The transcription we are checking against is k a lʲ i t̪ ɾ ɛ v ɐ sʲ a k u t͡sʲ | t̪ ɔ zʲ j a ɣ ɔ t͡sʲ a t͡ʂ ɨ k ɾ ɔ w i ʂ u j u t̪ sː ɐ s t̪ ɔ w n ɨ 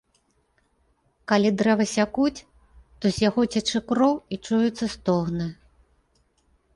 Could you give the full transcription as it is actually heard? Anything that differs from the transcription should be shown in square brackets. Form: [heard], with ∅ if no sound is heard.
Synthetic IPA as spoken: k a lʲ i [d̪] ɾ ɛ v ɐ sʲ a k u t͡sʲ | t̪ ɔ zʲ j a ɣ ɔ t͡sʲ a t͡ʂ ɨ k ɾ ɔ w i [t͡ʂ] u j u t̪ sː ɐ s t̪ ɔ [ɣ] n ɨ